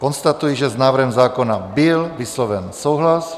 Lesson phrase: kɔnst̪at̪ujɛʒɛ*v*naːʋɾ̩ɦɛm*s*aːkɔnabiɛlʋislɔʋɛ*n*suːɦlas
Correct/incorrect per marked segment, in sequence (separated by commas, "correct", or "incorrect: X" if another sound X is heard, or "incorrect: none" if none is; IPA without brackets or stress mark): incorrect: z, incorrect: z, correct